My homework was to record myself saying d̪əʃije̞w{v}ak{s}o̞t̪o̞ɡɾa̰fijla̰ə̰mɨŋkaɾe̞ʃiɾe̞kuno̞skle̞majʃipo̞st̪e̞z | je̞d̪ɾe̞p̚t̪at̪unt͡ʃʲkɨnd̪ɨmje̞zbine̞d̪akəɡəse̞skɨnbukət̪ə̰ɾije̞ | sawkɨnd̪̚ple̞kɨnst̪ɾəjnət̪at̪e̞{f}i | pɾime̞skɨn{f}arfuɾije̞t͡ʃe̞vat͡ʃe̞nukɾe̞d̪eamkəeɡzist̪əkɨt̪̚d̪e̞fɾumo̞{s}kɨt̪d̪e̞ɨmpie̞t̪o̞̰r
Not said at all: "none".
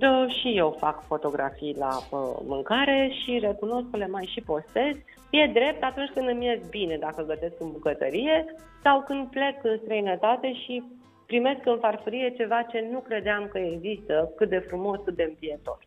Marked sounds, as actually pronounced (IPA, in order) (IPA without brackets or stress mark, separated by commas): f, f, ʃ, f, s